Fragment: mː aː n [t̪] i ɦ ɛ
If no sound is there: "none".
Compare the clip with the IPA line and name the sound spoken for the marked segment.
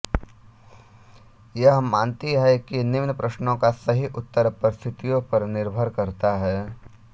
t̪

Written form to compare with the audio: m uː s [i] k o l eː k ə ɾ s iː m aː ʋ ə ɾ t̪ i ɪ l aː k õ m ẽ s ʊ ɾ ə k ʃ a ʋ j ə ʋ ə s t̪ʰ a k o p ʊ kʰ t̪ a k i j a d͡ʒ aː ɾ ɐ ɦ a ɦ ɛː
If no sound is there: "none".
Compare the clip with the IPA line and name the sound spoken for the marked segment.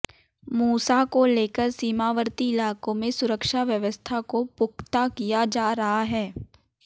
a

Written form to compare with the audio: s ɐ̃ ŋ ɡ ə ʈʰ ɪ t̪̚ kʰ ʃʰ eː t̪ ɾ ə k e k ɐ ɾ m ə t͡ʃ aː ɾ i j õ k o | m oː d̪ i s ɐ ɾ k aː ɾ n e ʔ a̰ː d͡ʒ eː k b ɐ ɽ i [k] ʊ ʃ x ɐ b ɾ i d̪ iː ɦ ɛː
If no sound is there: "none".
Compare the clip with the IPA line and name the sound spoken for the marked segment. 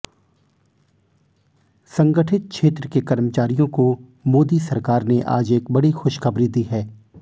x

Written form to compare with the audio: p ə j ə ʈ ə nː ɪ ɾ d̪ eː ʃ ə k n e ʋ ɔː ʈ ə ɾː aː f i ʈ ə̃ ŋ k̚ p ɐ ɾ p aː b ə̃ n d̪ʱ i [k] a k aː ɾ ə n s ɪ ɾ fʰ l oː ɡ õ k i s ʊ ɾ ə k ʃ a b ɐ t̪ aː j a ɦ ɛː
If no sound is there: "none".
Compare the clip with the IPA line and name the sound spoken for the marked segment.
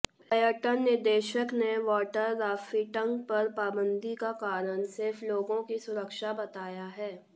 k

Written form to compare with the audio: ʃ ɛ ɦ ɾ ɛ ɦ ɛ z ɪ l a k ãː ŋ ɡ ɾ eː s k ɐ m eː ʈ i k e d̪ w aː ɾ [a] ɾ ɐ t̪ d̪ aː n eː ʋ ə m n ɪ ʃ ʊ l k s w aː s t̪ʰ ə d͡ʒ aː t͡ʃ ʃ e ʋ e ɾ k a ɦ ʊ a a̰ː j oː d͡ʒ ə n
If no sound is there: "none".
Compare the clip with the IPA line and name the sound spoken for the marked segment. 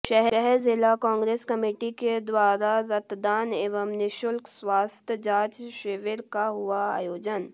a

